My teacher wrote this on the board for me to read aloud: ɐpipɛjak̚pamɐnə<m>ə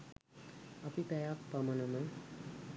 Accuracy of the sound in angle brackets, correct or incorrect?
correct